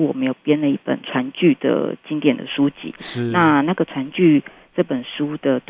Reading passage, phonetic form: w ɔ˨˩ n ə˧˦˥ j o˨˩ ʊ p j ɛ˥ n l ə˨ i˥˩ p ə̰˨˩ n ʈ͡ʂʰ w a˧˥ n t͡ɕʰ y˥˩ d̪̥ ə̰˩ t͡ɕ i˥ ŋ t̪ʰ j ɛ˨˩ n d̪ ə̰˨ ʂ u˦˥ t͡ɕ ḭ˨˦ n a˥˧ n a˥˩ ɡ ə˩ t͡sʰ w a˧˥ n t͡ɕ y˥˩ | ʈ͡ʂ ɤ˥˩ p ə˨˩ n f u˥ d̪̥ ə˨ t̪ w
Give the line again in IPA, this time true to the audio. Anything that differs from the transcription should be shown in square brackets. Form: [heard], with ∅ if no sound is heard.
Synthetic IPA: w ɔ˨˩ [m] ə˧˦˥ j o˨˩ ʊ p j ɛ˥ n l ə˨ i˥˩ p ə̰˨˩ n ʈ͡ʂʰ w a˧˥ n [t͡ɕ] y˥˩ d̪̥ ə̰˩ t͡ɕ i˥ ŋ [t̪] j ɛ˨˩ n d̪ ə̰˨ ʂ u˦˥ t͡ɕ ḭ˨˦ n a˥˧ n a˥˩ ɡ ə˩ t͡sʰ w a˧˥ n t͡ɕ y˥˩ | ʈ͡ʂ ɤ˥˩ p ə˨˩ n [ʂ] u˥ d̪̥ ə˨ t̪ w